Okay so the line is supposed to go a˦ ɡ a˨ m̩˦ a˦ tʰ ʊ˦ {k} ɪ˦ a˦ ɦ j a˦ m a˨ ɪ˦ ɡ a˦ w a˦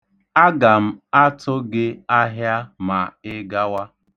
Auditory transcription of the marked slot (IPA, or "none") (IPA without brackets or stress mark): ɡ